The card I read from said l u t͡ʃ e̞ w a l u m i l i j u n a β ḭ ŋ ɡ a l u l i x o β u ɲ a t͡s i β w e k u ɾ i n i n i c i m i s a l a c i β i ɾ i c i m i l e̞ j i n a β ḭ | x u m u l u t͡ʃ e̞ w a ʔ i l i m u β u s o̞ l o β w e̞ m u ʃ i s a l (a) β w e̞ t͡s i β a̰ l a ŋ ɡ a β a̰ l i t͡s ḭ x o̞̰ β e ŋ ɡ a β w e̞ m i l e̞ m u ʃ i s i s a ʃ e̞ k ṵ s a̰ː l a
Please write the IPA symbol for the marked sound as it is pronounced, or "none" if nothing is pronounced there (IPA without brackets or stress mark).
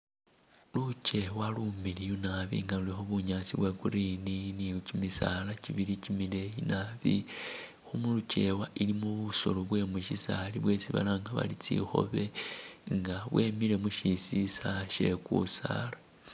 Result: i